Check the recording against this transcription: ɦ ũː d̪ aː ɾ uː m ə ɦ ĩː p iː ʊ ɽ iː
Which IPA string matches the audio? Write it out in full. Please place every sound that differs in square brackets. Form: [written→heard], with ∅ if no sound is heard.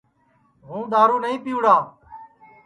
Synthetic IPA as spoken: ɦ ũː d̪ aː ɾ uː [m→n] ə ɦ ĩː p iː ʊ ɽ [iː→aː]